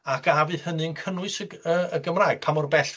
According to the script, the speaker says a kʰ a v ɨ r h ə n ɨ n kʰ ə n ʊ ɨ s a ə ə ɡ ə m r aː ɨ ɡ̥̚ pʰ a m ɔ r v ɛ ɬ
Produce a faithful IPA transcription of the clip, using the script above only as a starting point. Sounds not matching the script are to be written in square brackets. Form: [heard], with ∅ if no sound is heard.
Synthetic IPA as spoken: a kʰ a v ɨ [∅] h ə n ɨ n kʰ ə n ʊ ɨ s [ə] ə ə ɡ ə m r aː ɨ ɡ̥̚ pʰ a m ɔ r [b] ɛ ɬ